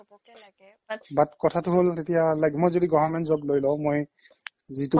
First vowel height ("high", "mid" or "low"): low